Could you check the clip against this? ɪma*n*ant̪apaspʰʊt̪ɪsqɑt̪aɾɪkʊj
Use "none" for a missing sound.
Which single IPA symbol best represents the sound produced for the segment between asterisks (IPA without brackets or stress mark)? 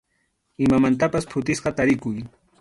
m